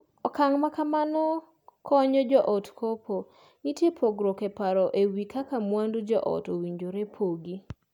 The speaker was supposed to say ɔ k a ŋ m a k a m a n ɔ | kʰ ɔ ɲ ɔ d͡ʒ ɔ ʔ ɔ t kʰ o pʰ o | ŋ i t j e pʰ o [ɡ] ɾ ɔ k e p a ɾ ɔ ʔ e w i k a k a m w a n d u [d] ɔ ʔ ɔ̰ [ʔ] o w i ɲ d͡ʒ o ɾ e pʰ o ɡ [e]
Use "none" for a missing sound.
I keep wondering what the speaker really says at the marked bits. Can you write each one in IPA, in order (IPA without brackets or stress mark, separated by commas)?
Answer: ɡ, d͡ʒ, t, i